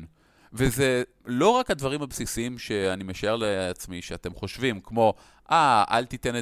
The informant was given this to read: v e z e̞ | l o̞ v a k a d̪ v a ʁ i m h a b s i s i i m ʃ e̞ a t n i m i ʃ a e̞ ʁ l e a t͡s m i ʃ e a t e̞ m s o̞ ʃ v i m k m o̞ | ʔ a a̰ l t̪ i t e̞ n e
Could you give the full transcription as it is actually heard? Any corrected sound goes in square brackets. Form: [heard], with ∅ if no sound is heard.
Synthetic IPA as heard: v e z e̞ | l o̞ [ʁ] a k a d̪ v a ʁ i m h a b s i s i i m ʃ e̞ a [∅] n i m [e] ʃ a e̞ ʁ l e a t͡s m i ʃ e a t e̞ m [χ] o̞ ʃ v i m k m o̞ | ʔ a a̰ l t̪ i t e̞ n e